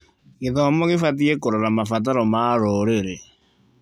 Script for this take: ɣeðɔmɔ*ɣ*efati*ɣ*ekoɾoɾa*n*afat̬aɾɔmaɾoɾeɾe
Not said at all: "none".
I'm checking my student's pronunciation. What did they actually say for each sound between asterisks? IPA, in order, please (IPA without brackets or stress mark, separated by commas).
ɣ, none, m